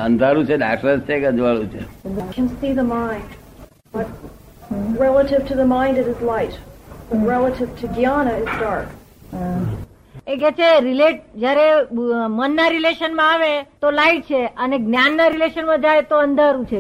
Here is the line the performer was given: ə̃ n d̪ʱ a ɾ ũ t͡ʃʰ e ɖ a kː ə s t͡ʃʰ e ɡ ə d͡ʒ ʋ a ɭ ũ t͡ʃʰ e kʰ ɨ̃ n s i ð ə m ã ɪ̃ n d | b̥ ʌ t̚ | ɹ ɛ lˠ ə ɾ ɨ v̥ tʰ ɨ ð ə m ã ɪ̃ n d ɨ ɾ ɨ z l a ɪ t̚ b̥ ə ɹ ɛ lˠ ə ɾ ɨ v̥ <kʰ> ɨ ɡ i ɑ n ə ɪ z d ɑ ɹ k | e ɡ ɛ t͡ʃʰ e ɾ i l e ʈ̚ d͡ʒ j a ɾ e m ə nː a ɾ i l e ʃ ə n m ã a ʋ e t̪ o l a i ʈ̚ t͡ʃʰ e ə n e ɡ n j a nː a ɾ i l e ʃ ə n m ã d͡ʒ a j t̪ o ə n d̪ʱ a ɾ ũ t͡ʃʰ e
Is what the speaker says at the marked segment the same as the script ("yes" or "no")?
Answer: no